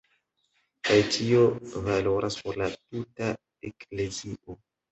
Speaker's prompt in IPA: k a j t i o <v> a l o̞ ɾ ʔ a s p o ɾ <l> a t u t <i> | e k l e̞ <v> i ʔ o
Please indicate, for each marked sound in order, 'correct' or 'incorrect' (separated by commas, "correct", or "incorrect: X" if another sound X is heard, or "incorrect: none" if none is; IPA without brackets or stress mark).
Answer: correct, correct, incorrect: a, incorrect: z